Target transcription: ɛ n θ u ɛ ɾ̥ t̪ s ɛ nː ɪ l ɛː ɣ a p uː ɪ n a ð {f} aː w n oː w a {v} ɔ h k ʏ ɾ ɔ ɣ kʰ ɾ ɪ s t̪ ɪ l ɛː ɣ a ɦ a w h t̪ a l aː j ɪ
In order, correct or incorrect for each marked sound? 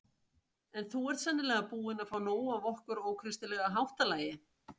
correct, correct

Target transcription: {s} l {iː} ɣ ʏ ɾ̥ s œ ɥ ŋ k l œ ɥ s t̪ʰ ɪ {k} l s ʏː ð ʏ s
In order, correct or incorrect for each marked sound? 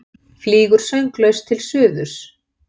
incorrect: f, correct, incorrect: none

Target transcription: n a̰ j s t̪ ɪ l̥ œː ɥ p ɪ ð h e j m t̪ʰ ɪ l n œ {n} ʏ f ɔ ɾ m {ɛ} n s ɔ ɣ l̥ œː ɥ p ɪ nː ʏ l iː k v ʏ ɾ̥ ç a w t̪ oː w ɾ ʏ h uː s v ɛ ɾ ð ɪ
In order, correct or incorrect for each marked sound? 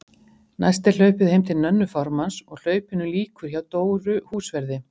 incorrect: nː, incorrect: a

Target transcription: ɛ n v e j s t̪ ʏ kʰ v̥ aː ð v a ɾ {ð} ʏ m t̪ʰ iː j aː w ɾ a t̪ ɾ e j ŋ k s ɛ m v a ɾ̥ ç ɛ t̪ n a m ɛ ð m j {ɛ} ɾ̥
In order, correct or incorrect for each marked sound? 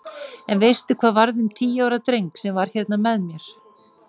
correct, correct

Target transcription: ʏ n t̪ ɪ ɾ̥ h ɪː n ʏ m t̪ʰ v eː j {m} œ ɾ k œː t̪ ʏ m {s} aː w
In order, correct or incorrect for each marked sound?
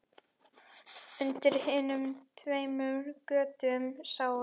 correct, correct

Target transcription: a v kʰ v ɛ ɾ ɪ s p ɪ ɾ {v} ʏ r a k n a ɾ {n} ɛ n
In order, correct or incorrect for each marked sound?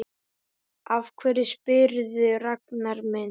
incorrect: ð, incorrect: m

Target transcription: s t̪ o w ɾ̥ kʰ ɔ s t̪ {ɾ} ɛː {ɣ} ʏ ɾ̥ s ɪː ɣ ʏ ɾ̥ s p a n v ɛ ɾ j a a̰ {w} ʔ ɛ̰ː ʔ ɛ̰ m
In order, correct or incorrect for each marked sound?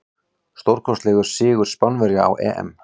incorrect: l, correct, correct

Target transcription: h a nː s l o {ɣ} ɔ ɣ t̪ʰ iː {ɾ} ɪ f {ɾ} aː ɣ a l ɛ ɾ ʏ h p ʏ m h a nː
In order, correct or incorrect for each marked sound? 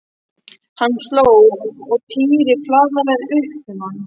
incorrect: w, correct, incorrect: l

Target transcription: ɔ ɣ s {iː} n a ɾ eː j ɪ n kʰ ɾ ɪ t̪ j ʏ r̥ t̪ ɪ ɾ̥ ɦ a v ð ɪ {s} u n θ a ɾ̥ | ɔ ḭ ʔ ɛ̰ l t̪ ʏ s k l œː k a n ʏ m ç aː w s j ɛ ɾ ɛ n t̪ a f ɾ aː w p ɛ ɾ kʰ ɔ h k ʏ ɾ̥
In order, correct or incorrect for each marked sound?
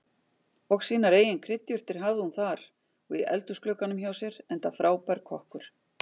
correct, incorrect: h

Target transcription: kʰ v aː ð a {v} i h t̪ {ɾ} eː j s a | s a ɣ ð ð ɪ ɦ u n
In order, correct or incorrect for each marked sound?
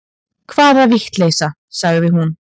correct, incorrect: l

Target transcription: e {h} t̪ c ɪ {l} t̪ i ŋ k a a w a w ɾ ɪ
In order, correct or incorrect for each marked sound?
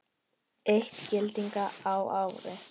correct, correct

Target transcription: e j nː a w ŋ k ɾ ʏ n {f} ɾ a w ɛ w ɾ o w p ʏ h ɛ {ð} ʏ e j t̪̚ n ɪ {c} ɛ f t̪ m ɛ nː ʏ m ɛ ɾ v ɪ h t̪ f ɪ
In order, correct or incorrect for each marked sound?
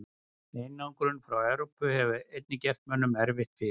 correct, incorrect: v, correct

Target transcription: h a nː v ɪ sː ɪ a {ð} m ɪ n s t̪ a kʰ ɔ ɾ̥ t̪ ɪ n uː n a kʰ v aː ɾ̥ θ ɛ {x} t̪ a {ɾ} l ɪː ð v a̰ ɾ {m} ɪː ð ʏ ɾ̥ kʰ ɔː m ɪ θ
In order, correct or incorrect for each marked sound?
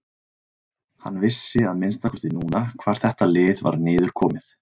correct, incorrect: h, incorrect: none, incorrect: n

